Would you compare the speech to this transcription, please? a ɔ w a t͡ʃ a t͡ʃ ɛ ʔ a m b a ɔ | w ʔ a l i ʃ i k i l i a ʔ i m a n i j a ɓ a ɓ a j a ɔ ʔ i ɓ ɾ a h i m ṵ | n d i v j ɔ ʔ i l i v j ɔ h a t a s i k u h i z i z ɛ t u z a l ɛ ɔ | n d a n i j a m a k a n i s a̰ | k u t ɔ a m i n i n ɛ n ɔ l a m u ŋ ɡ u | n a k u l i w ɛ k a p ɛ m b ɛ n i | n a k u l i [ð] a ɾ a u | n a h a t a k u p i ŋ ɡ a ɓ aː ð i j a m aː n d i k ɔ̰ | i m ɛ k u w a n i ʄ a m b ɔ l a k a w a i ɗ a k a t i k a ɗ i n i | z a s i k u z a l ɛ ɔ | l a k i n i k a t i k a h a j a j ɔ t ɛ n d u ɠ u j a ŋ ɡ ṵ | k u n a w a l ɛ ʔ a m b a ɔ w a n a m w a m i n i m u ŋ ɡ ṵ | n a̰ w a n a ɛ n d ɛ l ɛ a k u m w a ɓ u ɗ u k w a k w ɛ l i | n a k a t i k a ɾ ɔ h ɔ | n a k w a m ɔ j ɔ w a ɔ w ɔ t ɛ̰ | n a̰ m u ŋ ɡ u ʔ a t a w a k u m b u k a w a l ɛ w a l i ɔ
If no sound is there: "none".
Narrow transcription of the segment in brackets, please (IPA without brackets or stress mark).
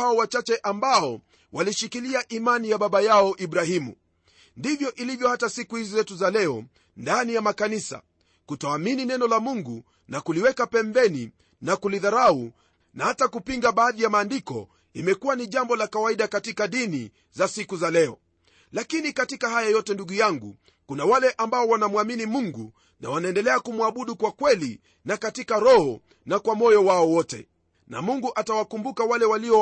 ð